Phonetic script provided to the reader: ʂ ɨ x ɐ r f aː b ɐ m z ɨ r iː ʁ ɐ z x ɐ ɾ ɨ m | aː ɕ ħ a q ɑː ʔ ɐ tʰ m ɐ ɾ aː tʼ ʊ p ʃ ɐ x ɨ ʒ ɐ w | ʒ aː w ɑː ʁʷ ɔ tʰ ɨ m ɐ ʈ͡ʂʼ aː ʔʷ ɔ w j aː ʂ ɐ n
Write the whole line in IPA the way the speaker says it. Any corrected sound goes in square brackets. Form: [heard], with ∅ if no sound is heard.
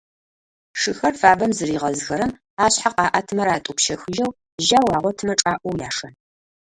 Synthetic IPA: ʂ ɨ x ɐ r f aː b ɐ m z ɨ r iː ʁ ɐ z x ɐ ɾ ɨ m | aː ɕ ħ a q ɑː ʔ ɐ tʰ m ɐ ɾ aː tʼ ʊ p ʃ ɐ x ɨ ʒ ɐ w | ʒ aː w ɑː ʁʷ ɔ tʰ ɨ m ɐ ʈ͡ʂʼ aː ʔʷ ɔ w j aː ʂ ɐ n